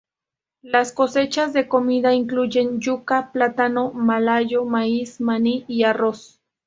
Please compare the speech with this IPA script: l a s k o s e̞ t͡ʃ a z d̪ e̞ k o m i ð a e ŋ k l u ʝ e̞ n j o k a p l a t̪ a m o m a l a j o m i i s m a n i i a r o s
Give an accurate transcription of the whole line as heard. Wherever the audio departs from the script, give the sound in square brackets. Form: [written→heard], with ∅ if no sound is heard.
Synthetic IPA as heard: l a s k o s e̞ t͡ʃ a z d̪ e̞ k o m i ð a [e→i] ŋ k l u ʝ e̞ n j [o→u] k a p l a t̪ a [m→n] o m a l a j o m [i→a] i s m a n i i a r o s